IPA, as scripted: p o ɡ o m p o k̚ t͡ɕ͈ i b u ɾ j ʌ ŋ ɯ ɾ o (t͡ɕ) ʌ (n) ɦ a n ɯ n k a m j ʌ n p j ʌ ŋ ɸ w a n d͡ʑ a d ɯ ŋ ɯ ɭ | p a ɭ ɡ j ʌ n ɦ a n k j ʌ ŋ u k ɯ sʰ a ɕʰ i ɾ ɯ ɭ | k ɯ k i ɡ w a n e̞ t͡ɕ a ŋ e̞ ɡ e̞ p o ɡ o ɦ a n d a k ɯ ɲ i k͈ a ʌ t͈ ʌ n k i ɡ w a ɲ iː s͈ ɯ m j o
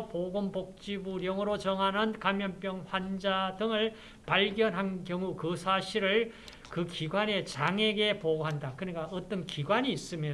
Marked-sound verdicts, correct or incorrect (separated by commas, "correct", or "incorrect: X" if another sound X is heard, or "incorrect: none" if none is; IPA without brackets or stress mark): correct, incorrect: ŋ